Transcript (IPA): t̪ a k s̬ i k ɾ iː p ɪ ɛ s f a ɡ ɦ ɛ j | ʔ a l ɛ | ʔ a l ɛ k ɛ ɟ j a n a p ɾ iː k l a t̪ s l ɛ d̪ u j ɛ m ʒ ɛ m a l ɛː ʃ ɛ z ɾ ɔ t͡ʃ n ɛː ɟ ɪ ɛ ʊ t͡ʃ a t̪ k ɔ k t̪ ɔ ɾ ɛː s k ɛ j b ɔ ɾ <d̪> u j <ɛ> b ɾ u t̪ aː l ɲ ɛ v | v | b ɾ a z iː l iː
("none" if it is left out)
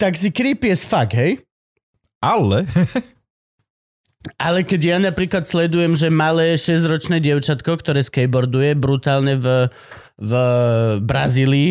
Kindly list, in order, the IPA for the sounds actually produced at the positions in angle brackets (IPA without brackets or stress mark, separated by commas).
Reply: d̪, ɛ